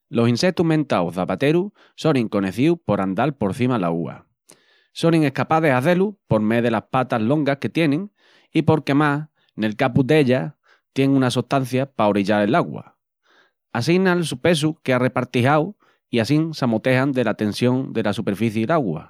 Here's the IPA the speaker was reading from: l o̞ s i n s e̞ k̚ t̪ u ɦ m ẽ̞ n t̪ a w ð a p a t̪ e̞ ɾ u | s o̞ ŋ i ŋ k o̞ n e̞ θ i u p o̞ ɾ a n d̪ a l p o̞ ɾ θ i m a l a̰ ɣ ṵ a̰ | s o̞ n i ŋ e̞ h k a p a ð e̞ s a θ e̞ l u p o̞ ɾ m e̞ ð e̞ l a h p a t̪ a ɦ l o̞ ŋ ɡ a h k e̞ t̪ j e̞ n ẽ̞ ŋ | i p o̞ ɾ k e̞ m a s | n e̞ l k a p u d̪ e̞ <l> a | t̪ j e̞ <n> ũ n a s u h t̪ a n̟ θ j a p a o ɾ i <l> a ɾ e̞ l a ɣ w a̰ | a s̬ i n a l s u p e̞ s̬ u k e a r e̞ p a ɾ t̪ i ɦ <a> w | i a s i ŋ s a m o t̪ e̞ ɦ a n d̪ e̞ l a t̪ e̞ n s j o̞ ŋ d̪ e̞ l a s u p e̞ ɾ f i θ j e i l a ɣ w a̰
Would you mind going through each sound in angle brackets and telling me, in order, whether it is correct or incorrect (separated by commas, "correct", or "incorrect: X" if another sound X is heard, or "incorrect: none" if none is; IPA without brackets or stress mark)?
incorrect: ʎ, incorrect: ŋ, incorrect: ʎ, correct